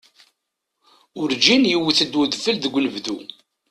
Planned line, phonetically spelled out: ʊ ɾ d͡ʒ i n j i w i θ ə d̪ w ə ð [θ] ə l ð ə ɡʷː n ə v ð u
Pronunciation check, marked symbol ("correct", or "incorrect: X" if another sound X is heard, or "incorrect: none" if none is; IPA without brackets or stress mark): incorrect: f